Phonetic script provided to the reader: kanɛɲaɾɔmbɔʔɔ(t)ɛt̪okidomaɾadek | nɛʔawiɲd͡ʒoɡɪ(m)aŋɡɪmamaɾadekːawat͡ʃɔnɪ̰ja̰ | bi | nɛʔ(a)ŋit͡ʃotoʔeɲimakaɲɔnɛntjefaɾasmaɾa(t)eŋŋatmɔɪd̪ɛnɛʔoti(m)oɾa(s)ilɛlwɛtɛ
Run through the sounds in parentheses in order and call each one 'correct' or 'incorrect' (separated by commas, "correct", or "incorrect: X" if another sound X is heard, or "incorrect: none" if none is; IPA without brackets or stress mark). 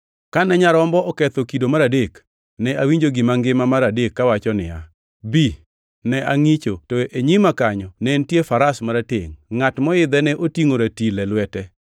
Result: incorrect: k, correct, correct, correct, incorrect: ŋ, incorrect: t